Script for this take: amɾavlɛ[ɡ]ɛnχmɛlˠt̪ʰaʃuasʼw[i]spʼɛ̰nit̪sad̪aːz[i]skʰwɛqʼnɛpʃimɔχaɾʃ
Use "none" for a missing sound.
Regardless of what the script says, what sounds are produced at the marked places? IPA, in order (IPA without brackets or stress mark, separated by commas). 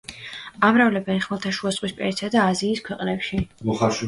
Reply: b, i, iː